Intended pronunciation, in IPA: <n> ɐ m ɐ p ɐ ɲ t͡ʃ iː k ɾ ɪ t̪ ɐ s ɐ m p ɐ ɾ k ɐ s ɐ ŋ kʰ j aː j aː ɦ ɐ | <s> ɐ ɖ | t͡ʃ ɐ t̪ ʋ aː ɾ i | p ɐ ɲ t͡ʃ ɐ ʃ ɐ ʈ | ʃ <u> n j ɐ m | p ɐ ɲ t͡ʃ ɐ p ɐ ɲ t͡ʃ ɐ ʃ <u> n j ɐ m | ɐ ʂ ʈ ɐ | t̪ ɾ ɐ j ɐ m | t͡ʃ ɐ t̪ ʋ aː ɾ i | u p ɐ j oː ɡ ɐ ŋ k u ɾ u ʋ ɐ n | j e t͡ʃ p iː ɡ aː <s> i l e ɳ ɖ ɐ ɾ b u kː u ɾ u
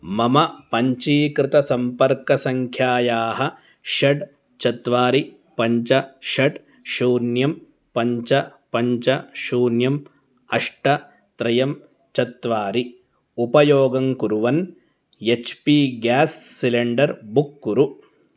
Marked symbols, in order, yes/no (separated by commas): no, no, no, no, no